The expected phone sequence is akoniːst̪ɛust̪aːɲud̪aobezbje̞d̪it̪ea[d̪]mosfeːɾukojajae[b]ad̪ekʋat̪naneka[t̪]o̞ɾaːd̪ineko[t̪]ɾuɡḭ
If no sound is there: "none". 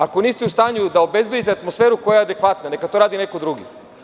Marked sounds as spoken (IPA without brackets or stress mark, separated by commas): t̪, none, t̪, d̪